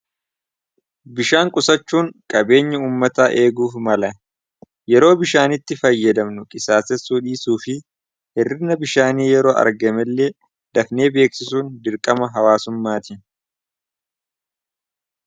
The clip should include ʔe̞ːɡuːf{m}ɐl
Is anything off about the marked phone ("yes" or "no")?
no